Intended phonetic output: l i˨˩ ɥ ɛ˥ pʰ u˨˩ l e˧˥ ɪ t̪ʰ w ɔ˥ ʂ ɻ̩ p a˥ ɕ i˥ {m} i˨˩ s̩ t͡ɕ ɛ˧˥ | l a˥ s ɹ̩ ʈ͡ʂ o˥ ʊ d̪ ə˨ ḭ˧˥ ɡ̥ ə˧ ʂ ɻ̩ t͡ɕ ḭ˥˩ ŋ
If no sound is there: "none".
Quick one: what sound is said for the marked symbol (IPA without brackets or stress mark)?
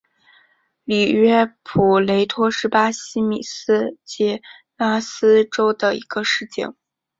m